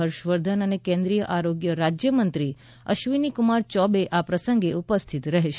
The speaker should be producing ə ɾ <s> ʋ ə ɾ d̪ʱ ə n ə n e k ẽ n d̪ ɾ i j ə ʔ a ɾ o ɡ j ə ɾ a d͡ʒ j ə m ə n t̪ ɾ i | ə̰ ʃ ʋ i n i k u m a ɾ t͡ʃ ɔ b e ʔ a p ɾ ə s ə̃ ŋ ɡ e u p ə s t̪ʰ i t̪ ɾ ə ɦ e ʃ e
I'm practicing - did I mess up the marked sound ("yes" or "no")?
yes